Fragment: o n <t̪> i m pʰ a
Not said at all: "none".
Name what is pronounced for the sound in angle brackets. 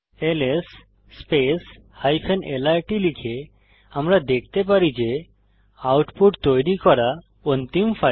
t̪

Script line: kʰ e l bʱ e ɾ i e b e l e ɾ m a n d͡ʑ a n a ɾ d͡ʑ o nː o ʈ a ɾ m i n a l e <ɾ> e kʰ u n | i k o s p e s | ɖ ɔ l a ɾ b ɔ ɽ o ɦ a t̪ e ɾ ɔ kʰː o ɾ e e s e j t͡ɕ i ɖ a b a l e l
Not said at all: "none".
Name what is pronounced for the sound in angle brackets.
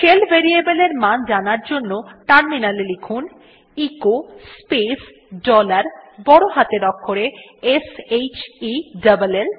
l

